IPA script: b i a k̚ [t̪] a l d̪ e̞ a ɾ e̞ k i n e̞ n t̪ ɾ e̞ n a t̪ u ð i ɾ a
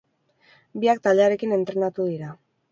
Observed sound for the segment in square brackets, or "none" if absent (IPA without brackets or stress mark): t̪